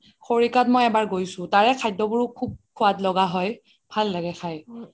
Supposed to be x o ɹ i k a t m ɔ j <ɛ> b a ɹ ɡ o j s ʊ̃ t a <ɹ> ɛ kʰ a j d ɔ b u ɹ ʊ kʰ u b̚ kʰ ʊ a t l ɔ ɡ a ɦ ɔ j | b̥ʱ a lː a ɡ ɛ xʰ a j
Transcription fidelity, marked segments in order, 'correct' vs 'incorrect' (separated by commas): correct, correct